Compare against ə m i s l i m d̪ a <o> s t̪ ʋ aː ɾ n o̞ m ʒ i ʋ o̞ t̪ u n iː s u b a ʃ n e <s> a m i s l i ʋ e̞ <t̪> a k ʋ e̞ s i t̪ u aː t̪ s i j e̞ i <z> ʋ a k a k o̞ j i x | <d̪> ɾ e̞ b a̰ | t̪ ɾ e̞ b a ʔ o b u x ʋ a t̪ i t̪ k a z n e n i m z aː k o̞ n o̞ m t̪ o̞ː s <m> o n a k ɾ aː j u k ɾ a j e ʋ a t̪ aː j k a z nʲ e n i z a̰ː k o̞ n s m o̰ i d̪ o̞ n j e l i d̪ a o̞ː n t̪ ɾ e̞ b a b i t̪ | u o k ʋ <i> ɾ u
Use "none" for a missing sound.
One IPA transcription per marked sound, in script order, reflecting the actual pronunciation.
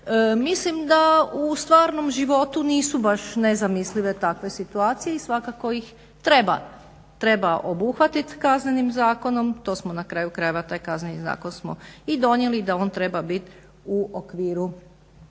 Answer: u, z, t̪, s, t̪, m, iː

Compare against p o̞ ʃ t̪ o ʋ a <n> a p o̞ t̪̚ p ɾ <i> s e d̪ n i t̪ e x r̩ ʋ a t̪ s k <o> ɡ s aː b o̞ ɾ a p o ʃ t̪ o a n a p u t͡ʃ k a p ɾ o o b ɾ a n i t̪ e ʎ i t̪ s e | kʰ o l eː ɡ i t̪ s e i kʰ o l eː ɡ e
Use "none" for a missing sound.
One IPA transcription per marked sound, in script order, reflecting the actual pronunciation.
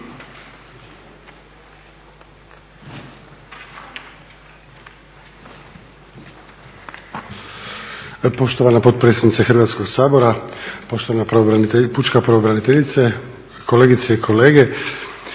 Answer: n, e, o

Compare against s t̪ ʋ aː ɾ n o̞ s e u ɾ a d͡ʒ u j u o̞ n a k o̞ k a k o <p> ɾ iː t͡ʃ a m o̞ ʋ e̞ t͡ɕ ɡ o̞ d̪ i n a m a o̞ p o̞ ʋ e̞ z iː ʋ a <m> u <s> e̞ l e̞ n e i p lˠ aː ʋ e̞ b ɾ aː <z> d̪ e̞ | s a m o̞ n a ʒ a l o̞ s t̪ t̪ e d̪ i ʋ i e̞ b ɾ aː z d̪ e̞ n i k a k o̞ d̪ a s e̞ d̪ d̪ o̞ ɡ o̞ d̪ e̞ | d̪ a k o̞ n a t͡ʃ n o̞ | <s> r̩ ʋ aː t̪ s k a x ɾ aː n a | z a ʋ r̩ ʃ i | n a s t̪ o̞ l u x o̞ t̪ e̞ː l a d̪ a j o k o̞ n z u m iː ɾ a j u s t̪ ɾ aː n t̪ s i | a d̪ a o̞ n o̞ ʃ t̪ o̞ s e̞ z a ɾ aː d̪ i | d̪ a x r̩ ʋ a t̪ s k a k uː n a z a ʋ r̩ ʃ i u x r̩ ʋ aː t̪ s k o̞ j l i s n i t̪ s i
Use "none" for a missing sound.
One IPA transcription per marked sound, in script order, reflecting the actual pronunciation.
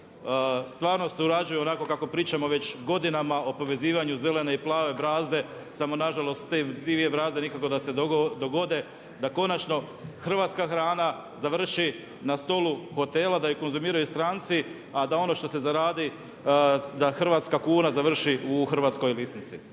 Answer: p, ɲ, z, z, x

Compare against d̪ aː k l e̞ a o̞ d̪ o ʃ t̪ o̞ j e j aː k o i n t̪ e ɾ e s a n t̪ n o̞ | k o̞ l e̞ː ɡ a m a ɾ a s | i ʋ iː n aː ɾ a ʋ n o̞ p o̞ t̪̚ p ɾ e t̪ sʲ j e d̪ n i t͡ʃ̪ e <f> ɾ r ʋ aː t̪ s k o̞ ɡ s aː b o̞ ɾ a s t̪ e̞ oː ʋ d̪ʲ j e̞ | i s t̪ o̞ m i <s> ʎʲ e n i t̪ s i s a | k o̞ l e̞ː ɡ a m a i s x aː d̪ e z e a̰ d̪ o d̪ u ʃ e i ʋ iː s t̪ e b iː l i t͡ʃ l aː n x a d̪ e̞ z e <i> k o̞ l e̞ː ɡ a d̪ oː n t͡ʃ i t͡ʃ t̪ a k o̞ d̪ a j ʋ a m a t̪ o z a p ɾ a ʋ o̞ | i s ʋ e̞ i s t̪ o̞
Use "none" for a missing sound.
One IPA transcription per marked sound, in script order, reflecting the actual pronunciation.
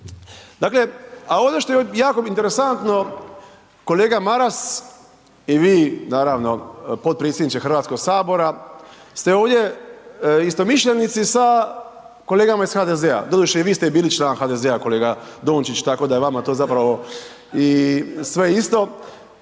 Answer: x, ʃ, a

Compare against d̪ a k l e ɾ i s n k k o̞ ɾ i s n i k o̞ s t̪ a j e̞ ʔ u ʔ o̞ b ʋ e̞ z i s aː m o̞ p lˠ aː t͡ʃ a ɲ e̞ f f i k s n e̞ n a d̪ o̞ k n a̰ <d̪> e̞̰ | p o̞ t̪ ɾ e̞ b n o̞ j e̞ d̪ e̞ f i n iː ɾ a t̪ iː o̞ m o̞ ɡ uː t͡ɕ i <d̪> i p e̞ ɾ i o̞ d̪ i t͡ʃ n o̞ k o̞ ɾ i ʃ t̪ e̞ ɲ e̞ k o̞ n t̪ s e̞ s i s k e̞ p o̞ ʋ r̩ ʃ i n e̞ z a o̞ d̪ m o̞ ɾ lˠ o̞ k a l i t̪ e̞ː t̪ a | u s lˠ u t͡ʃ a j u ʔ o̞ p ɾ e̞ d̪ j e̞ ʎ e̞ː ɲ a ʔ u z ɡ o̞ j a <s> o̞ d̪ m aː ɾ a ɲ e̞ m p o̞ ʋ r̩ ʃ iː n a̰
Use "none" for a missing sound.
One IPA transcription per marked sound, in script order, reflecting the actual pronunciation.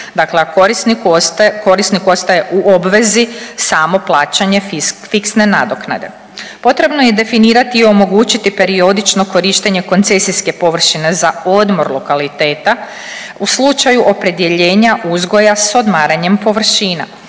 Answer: d̪, t̪, s

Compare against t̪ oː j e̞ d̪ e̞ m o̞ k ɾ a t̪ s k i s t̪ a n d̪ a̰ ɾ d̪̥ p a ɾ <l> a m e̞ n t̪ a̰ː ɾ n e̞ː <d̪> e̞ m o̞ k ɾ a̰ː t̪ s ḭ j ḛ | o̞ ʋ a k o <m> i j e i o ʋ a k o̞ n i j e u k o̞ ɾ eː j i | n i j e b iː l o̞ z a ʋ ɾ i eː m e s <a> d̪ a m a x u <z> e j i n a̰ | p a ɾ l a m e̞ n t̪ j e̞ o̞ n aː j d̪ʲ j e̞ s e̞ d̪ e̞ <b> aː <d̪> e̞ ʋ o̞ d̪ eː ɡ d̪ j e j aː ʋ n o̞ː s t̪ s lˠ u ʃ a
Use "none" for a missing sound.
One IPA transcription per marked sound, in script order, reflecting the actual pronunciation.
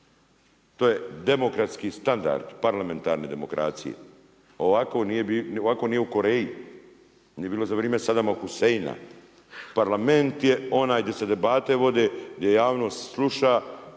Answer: l, d̪, n, a, s, b, t̪

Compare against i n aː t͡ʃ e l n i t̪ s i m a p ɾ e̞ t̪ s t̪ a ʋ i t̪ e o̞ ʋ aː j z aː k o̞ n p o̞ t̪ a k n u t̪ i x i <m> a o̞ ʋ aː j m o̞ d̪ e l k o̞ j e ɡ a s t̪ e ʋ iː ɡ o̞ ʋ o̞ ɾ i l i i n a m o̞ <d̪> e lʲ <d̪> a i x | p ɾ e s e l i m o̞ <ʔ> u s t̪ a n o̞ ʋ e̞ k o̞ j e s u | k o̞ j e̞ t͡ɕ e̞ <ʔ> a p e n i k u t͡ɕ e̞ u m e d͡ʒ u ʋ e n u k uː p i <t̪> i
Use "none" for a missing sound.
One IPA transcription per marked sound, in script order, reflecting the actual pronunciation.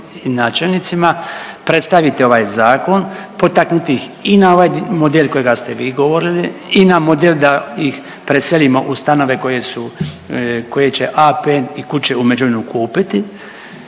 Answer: n, d̪, d̪, ʔ, ʔ, t̪

